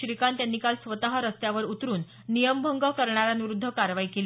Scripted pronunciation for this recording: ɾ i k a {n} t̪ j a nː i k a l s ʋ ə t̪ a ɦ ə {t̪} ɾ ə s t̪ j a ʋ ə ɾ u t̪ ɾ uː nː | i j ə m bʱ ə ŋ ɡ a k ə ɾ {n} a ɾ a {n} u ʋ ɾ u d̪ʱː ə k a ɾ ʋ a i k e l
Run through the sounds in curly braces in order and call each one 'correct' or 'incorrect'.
correct, incorrect: none, incorrect: ɳ, correct

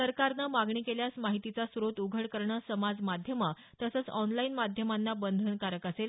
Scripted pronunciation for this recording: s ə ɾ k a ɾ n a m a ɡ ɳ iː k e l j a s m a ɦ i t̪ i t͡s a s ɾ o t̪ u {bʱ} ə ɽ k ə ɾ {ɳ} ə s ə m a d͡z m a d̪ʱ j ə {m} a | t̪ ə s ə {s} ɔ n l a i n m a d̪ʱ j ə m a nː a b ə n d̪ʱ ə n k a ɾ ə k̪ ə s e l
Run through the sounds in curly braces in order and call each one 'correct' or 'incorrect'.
incorrect: ɡʱ, correct, correct, incorrect: t͡s

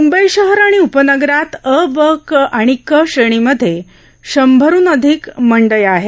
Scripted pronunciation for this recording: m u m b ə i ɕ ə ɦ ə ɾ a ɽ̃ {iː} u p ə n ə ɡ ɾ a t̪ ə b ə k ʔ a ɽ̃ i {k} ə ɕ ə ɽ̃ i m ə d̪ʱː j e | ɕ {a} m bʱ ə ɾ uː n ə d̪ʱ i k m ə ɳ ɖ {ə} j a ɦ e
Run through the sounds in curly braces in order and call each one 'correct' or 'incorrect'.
incorrect: i, correct, incorrect: ə, correct

